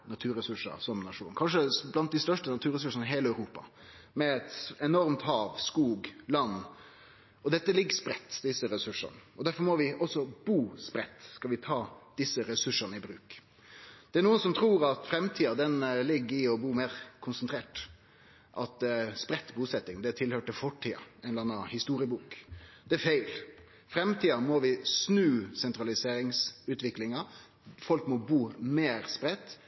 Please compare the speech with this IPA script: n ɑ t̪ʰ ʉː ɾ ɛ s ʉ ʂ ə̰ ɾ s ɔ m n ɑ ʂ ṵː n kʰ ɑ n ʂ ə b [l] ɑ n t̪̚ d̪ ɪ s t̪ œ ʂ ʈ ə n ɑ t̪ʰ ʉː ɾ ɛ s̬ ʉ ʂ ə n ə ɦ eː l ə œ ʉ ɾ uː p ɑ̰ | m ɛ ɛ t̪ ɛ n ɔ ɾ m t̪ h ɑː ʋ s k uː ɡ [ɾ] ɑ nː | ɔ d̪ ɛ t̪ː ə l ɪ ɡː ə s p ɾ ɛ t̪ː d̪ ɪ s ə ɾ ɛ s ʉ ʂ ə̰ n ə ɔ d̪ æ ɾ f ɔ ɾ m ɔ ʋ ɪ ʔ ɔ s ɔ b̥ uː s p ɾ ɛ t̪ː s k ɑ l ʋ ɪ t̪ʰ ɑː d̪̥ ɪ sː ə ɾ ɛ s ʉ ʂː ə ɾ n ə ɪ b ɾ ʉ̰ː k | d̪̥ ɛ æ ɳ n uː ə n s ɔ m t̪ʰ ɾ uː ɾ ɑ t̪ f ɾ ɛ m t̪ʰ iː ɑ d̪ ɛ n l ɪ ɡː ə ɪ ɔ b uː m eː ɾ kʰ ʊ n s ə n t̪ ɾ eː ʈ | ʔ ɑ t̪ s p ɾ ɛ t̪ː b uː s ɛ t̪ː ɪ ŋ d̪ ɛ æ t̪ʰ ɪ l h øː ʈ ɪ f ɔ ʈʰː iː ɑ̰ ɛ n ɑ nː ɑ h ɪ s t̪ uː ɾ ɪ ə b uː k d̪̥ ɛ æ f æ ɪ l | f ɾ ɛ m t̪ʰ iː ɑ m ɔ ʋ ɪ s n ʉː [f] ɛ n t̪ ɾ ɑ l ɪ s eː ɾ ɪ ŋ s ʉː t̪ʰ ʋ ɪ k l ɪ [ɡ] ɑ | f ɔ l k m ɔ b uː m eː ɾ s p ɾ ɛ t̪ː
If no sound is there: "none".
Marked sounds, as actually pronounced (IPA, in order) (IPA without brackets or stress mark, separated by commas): l, l, s, ŋ